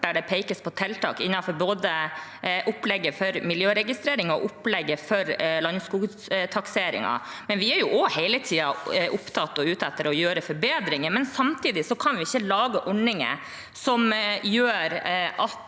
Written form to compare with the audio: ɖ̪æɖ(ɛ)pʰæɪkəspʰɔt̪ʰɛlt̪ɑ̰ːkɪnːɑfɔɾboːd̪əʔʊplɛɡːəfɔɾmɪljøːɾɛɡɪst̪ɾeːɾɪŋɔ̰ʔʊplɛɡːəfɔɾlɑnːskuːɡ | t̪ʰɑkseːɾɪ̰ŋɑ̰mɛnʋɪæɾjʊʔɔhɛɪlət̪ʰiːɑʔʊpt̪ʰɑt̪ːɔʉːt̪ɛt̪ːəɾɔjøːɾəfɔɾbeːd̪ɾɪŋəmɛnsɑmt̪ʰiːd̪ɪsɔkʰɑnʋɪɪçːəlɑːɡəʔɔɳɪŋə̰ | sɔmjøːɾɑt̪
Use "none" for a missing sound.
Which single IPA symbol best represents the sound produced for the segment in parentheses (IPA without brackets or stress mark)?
ɛ